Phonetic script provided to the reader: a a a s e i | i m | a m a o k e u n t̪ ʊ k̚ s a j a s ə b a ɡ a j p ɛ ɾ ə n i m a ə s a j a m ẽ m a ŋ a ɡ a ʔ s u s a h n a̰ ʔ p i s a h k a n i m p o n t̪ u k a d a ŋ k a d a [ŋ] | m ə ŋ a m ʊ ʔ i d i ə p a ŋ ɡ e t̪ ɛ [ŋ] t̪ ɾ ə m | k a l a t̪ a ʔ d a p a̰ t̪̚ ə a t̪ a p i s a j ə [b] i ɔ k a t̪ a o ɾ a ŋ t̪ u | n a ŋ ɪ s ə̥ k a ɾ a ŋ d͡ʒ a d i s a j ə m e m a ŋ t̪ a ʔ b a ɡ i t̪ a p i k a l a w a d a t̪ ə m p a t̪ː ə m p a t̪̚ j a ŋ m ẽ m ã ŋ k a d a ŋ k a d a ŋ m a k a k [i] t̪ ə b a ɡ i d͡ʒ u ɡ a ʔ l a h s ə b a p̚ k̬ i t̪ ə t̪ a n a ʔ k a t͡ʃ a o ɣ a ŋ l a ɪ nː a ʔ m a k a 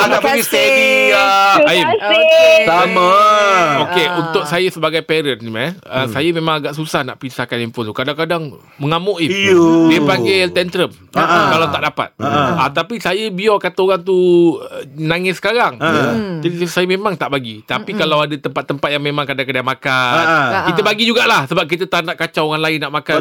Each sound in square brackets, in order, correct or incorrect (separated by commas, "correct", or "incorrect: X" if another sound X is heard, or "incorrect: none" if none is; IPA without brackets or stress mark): correct, incorrect: n, correct, correct